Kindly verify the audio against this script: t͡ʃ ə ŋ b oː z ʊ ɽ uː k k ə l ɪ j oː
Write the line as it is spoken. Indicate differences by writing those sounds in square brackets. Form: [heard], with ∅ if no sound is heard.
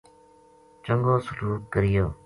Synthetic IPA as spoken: t͡ʃ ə ŋ [ɡ] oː [s] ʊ [l] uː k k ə [ɾ] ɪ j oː